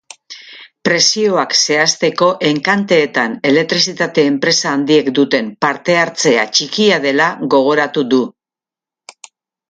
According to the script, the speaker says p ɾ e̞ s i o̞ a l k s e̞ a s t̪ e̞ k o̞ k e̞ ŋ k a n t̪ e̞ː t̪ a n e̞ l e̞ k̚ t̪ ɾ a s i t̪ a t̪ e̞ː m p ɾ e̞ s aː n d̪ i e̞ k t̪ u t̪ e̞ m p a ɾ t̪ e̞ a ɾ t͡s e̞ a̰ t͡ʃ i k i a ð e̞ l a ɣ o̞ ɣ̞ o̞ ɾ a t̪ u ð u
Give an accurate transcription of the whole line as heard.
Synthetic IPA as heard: p ɾ e̞ s i o̞ a k s e̞ a s t̪ e̞ k o̞ ʔ e̞ ŋ k a n t̪ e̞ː t̪ a n e̞ l e̞ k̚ t̪ ɾ i s i t̪ a t̪ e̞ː m p ɾ e̞ s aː n d̪ i e̞ k d̪ u t̪ e̞ m p a ɾ t̪ e̞ a ɾ t͡s e̞ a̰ t͡ʃ i k i a ð e̞ l a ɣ o̞ ɣ̞ o̞ ɾ a t̪ u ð u